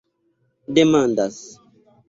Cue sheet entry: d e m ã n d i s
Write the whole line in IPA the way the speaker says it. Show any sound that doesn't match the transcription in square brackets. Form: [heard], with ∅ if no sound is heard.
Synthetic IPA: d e m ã n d [a] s